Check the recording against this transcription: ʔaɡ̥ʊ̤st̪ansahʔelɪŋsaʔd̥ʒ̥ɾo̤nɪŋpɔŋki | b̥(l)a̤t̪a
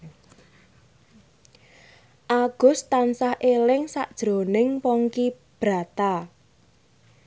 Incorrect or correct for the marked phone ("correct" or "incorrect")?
incorrect